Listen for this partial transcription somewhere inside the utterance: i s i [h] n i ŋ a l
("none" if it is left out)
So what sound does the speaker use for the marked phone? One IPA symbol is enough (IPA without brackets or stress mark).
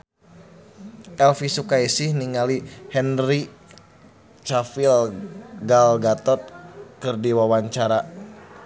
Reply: h